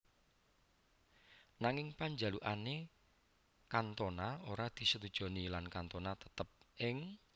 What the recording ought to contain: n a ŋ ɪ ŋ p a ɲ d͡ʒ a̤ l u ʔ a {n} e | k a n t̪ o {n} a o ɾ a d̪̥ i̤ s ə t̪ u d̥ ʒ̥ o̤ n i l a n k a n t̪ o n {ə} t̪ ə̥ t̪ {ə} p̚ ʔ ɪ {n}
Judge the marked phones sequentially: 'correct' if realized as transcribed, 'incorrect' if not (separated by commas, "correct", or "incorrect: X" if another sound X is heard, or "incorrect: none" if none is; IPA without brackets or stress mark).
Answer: correct, correct, incorrect: a, correct, incorrect: ŋ